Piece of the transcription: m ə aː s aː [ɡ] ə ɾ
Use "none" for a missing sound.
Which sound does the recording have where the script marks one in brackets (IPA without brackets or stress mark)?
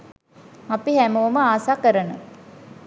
k